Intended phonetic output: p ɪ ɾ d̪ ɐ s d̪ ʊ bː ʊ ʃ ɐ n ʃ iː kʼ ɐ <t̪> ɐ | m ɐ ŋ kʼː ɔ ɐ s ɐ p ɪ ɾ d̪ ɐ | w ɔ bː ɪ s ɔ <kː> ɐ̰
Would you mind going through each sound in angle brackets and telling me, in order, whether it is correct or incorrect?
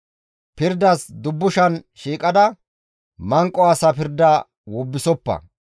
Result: incorrect, incorrect

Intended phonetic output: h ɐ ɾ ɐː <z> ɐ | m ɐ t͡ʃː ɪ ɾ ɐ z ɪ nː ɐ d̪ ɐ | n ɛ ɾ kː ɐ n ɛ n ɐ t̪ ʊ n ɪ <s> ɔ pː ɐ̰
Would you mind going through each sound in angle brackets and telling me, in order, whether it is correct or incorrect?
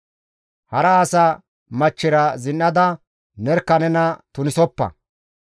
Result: incorrect, correct

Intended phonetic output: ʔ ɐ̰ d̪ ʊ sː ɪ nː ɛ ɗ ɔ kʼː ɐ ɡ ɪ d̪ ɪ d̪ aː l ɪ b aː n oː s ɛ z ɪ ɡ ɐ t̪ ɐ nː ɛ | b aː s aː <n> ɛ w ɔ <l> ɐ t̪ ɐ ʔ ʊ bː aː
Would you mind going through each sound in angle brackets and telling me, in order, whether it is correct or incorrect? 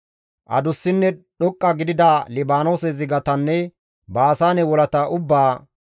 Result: correct, correct

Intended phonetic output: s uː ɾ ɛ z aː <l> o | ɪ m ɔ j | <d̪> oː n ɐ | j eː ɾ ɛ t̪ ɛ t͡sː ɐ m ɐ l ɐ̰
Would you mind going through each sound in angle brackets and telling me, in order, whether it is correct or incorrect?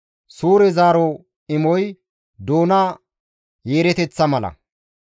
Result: incorrect, correct

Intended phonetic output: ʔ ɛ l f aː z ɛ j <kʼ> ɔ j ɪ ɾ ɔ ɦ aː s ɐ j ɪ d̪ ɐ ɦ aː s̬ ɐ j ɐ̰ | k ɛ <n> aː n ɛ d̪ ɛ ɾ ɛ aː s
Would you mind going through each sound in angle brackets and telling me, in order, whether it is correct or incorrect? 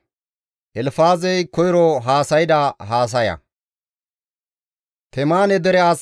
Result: incorrect, incorrect

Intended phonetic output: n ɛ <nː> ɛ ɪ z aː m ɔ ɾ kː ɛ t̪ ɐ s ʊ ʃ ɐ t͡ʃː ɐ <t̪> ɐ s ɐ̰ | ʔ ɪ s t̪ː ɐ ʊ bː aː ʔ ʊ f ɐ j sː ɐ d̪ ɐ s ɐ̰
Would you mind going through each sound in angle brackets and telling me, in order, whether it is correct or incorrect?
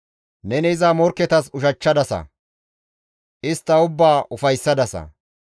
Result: incorrect, incorrect

